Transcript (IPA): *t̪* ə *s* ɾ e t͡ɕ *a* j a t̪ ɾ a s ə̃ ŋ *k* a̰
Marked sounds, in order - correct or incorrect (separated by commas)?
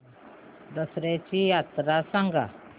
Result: incorrect, correct, incorrect, incorrect